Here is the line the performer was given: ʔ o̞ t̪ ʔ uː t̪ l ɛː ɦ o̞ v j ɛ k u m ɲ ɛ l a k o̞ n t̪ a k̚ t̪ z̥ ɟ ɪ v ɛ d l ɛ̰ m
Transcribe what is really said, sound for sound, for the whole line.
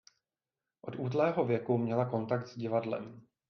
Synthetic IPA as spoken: ʔ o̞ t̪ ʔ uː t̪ l ɛː ɦ o̞ v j ɛ k u m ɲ ɛ l a k o̞ n t̪ a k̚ t̪ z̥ ɟ ɪ v a d l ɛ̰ m